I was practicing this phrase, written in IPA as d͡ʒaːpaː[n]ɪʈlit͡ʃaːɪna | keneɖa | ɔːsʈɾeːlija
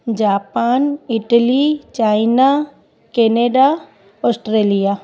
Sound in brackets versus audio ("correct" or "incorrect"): correct